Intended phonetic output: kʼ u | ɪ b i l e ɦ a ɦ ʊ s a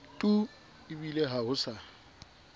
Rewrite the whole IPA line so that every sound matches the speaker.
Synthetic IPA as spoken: tʼ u | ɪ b i l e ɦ a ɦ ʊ s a